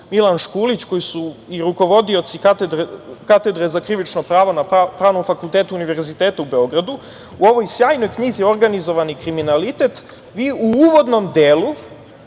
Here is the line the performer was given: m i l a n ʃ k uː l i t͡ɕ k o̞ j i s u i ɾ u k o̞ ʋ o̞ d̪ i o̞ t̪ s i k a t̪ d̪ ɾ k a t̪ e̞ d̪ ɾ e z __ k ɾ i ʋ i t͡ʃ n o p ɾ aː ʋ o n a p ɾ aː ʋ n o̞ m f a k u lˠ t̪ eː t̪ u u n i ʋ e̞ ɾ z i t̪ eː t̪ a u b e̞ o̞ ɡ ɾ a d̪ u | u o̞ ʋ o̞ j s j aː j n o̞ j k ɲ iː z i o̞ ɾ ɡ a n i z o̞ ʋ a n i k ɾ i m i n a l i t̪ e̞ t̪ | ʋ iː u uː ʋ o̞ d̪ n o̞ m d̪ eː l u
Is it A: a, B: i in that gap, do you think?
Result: A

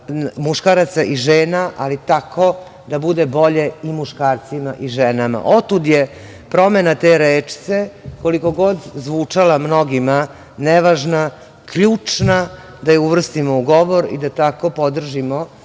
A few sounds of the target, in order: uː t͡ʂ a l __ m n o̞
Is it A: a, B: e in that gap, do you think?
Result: A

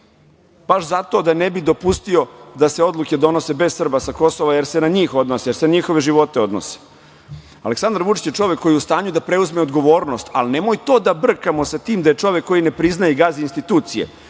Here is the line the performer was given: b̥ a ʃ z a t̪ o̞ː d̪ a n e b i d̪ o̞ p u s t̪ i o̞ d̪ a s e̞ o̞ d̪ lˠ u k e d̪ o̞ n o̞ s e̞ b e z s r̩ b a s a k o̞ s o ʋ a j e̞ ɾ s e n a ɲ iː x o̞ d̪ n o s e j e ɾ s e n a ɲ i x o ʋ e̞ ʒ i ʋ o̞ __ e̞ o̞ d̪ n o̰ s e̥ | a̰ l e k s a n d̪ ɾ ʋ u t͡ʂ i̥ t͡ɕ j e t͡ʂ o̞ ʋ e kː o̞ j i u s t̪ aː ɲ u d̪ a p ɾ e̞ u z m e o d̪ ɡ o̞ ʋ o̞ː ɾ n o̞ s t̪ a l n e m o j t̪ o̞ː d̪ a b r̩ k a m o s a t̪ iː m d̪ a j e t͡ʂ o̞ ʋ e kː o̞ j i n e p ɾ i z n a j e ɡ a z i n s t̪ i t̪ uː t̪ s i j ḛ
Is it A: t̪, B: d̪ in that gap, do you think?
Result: A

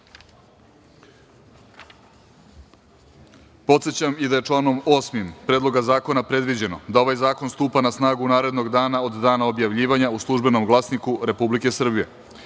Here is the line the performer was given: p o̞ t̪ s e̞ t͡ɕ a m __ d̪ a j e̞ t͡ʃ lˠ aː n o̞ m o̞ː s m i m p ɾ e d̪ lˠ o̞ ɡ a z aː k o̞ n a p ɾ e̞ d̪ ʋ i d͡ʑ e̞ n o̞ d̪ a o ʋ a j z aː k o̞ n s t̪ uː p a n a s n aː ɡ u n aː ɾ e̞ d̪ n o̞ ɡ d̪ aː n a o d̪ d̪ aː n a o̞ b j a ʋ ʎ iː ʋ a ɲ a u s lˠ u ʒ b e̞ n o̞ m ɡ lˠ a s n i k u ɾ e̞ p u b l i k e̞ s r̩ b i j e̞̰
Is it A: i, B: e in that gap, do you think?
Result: A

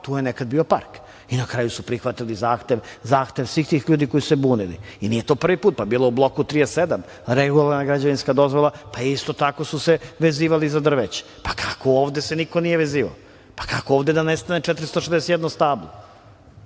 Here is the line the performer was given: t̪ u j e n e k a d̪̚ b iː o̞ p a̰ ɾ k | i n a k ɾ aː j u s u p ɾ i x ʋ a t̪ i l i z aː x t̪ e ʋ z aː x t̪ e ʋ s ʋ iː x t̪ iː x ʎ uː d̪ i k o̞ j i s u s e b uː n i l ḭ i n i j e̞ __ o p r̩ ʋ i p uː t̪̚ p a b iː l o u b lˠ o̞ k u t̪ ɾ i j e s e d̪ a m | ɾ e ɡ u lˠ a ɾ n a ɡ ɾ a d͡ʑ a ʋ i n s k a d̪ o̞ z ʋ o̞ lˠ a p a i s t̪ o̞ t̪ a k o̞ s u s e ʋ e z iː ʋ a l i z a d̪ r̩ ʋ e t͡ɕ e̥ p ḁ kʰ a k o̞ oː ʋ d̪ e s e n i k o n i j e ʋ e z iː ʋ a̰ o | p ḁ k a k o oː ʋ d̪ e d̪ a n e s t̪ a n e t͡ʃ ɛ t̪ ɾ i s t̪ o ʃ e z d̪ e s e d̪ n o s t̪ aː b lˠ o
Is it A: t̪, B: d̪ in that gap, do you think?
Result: A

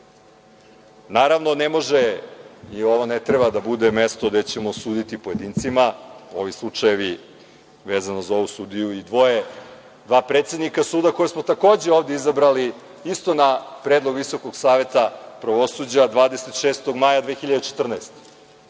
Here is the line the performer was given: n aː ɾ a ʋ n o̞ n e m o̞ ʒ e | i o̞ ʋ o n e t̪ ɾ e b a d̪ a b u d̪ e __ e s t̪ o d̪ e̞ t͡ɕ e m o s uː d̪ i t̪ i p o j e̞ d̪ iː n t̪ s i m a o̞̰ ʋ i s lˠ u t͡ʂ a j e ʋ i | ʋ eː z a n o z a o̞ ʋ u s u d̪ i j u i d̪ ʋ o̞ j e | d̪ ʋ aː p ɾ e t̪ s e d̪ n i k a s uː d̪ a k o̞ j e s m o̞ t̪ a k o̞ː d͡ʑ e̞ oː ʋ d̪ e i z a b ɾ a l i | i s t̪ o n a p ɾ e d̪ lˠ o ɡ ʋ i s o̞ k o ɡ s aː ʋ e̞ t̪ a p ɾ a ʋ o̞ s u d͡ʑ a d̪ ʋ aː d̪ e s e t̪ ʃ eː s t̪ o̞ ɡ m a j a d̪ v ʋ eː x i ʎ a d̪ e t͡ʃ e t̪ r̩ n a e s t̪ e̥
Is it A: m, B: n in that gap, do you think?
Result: A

